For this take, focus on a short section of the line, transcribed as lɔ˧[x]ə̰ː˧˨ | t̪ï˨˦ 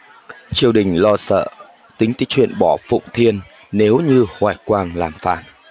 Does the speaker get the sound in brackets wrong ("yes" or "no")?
yes